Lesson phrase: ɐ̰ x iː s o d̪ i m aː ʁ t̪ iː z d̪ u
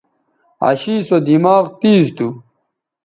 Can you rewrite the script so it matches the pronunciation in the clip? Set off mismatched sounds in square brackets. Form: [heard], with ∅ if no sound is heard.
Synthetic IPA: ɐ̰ [ɕ] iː s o d̪ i m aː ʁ t̪ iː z [t̪] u